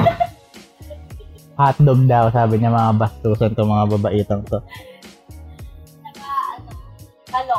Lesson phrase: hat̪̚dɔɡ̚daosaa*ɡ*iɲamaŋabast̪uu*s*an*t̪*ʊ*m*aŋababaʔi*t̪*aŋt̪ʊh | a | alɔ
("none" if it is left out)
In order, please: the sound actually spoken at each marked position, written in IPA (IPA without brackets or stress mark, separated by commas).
b, s, t̪, m, t̪